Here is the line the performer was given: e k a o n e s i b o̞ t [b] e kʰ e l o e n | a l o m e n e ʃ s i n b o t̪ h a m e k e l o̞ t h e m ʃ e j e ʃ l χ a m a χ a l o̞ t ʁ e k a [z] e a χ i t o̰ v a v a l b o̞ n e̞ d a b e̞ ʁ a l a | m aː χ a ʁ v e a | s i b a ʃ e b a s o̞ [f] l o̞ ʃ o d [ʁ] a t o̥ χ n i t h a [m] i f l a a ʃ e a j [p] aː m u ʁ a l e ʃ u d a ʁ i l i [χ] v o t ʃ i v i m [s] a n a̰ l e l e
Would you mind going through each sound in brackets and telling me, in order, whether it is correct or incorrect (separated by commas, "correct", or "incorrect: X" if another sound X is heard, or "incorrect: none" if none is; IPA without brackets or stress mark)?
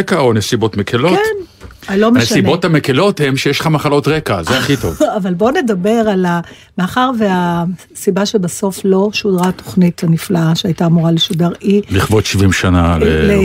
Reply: incorrect: m, correct, correct, correct, incorrect: n, incorrect: t, correct, incorrect: ʃ